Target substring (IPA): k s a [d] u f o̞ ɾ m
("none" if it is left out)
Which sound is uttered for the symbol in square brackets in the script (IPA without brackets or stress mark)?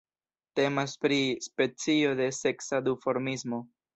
d